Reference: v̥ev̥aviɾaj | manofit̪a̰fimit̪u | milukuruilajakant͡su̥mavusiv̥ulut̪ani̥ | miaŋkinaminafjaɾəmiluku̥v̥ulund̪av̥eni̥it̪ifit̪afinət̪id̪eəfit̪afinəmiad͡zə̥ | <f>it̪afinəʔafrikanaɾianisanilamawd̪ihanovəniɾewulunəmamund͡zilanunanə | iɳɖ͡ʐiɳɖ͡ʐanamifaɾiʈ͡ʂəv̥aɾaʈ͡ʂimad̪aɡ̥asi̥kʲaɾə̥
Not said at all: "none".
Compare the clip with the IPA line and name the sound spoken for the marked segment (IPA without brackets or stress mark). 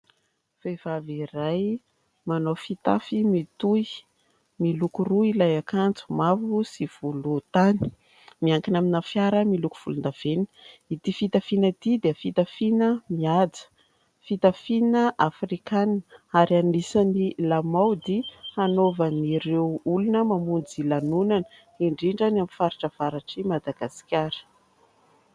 f